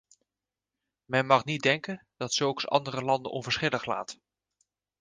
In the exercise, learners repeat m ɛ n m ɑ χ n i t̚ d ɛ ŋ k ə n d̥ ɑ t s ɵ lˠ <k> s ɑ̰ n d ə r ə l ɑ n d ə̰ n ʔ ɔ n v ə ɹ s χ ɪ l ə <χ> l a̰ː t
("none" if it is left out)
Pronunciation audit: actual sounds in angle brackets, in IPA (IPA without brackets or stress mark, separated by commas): k, χ